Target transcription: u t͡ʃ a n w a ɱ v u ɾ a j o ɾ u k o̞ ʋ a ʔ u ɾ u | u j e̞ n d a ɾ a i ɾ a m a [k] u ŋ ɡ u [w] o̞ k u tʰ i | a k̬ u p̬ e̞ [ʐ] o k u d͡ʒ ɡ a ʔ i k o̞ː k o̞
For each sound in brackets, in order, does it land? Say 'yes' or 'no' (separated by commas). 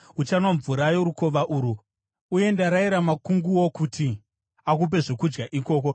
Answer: yes, yes, yes